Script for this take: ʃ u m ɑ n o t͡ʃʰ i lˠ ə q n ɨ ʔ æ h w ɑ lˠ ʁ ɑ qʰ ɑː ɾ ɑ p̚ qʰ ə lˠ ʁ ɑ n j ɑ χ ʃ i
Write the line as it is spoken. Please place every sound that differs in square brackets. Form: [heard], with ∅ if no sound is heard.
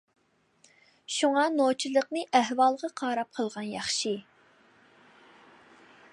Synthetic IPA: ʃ u [ŋ] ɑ n o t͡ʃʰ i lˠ ə q n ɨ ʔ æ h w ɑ lˠ ʁ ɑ qʰ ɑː ɾ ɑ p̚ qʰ ə lˠ ʁ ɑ n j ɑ χ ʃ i